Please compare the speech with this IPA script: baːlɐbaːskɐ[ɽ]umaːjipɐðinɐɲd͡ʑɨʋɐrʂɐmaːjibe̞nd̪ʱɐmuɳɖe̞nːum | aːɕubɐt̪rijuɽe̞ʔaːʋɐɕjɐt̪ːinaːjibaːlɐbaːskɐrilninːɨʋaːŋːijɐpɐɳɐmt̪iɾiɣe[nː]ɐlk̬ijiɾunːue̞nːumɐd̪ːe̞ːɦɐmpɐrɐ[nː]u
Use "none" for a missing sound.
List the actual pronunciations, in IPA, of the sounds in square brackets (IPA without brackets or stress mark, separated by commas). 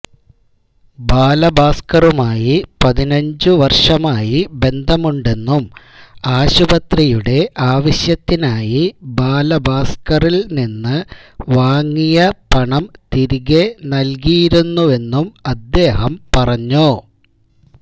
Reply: r, n, ɲː